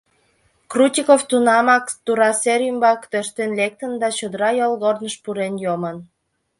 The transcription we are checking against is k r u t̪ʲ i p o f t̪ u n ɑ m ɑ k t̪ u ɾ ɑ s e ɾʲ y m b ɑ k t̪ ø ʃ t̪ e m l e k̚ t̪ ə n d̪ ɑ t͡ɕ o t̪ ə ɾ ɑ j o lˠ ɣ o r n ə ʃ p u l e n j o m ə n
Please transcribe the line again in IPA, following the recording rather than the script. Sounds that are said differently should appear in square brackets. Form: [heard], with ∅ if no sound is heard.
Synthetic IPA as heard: k r u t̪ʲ i [k] o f t̪ u n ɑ m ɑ k t̪ u ɾ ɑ s e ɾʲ y m b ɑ k t̪ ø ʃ t̪ e [n] l e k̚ t̪ ə n d̪ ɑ t͡ɕ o [d̪] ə ɾ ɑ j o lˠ ɣ o r n ə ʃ p u [ɾ] e n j o m ə n